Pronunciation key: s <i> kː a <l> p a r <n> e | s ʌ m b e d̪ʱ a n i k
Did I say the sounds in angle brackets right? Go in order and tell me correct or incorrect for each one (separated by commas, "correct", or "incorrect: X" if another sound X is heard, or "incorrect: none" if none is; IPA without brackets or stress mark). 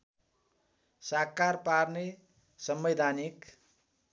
incorrect: a, incorrect: r, correct